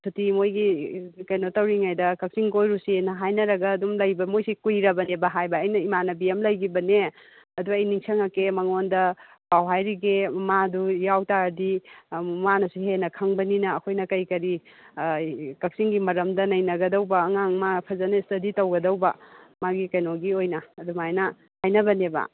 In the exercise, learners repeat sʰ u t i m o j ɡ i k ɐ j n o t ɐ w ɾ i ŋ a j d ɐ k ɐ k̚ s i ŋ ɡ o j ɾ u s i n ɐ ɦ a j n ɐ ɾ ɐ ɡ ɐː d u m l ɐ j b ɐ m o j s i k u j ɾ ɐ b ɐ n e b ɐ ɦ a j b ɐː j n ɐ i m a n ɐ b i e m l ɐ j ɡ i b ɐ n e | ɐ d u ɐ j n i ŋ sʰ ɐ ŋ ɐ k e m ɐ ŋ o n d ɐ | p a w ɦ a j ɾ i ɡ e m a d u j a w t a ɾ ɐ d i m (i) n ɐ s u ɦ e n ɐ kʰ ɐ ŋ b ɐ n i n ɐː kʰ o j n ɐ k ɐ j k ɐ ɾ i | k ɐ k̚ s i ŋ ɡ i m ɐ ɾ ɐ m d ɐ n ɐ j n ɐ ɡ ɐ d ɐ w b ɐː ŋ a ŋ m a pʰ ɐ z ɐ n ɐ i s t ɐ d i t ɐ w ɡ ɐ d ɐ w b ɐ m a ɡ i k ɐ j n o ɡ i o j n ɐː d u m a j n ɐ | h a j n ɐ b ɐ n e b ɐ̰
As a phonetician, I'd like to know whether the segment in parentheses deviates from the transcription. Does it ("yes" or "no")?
yes